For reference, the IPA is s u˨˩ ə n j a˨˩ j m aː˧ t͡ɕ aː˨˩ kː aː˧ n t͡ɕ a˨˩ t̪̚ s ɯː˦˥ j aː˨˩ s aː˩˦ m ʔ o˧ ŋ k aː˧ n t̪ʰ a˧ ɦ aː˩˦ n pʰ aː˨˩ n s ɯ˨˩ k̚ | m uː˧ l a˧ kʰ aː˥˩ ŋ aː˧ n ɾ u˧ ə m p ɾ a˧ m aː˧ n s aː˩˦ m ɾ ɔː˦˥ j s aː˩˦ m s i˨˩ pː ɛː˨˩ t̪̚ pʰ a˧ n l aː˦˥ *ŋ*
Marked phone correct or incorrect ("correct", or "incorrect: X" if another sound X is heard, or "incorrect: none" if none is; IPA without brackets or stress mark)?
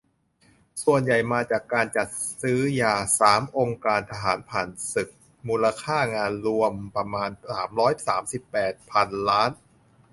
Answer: incorrect: n